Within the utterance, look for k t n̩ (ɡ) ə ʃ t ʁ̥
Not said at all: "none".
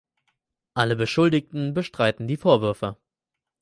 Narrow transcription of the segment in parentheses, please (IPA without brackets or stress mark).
b